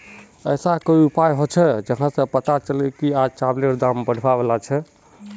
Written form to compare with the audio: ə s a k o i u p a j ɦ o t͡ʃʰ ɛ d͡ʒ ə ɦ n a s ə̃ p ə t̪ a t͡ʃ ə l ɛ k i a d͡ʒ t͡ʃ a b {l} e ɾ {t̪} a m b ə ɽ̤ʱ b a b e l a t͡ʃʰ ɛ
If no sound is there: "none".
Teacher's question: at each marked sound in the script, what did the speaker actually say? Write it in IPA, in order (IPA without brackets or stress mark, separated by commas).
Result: l, d̪